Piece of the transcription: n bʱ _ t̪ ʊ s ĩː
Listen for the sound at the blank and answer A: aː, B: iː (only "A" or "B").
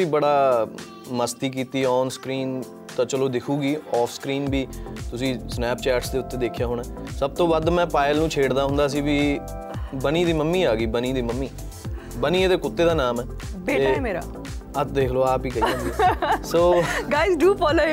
B